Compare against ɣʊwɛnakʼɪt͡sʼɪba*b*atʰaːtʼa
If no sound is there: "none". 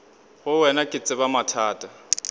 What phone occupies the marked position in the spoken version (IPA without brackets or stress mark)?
m